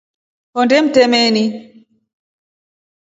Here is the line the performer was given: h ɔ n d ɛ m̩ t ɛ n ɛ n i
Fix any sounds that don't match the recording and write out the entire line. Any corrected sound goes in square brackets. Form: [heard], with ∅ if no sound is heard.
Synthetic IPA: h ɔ n d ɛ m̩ t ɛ [m] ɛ n i